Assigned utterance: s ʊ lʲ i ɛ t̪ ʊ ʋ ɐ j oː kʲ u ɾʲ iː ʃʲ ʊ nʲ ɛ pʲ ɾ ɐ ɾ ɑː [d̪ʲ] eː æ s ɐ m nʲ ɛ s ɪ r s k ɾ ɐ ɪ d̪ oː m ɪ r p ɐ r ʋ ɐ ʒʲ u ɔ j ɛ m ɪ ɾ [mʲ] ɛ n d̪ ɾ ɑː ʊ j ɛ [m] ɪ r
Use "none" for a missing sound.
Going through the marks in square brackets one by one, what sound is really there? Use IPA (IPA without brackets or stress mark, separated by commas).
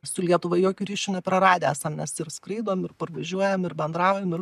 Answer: d̪ʲ, bʲ, m